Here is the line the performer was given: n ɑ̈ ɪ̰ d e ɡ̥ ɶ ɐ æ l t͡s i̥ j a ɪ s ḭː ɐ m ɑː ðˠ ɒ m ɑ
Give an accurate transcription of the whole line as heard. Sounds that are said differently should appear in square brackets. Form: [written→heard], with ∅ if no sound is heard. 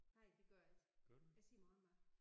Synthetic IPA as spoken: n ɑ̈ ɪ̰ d e ɡ̥ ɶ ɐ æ l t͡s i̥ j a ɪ s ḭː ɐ m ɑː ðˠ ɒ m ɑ